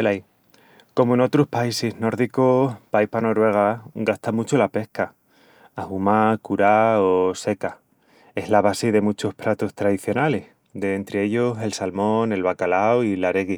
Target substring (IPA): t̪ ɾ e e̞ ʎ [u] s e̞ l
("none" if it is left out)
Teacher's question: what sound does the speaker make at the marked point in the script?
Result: o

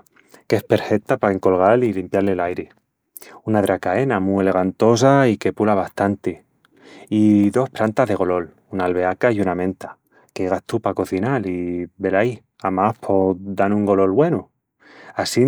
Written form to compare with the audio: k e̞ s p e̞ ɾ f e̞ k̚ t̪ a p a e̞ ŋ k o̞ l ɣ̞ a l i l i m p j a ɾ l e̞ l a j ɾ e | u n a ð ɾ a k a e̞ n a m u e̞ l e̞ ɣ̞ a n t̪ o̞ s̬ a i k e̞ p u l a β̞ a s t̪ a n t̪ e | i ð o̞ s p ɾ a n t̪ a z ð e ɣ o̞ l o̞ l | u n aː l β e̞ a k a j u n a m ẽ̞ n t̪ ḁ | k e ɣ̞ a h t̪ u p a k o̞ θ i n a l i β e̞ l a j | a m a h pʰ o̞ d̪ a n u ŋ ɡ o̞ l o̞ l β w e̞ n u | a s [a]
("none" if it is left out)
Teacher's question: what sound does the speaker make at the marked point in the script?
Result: i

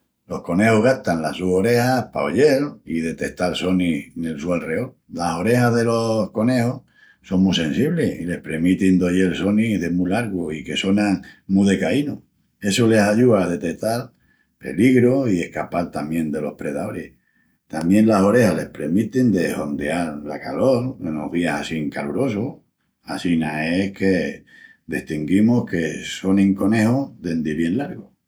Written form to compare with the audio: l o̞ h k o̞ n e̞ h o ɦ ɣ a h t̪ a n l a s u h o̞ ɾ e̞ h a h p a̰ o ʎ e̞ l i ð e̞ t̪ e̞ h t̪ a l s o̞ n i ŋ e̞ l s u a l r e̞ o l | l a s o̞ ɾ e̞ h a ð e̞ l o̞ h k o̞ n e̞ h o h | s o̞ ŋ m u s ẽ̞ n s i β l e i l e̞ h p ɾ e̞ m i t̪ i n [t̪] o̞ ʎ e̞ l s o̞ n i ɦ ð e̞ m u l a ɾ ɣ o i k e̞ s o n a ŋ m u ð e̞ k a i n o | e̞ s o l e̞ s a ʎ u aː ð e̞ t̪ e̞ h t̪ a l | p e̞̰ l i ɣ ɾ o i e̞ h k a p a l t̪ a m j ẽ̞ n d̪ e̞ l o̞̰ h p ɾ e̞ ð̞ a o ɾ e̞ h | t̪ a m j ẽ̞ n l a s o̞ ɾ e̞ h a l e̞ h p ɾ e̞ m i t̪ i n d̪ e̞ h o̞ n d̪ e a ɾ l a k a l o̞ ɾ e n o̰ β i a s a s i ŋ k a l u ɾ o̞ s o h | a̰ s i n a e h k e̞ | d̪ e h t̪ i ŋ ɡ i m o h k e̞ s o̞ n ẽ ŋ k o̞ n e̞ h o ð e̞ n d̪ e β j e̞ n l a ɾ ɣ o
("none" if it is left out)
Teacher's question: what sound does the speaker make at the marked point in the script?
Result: d̪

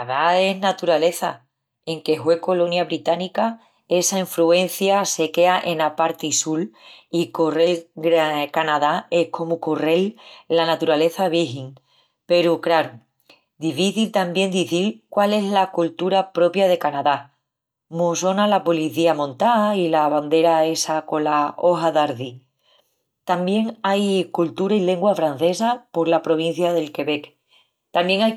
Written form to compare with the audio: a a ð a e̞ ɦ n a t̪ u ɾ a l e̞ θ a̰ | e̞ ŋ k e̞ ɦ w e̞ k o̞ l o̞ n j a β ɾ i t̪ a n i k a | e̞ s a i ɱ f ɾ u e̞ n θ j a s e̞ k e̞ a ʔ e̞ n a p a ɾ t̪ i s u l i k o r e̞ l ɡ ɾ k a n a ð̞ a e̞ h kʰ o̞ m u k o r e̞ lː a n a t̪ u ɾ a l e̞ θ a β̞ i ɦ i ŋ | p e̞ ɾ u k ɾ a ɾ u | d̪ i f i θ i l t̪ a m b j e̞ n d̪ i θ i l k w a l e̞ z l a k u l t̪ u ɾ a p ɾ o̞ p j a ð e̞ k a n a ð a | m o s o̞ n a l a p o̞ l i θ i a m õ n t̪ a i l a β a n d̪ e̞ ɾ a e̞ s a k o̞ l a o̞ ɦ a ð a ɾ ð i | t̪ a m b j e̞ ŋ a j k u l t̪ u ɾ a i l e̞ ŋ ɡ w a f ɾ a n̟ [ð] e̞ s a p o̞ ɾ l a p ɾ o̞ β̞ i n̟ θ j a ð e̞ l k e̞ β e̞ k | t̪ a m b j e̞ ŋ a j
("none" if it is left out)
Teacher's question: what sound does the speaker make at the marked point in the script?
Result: θ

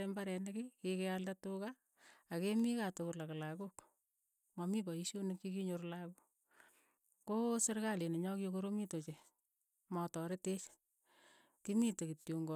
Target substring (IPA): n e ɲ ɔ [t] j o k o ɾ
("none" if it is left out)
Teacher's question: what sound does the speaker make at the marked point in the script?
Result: k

